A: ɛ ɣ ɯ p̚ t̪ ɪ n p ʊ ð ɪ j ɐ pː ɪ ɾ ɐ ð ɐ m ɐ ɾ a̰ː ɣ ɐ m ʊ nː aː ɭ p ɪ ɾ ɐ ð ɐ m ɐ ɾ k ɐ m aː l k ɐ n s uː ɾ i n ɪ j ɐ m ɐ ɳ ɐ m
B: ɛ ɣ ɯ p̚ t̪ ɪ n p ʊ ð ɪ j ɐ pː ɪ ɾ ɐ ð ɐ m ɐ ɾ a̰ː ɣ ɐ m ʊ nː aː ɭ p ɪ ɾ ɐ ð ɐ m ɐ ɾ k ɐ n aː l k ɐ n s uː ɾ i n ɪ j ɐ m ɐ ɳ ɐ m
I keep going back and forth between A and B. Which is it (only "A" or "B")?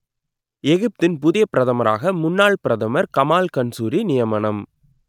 A